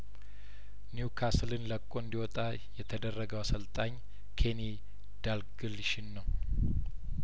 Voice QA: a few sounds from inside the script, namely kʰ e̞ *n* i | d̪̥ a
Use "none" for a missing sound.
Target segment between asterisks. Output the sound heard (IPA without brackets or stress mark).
n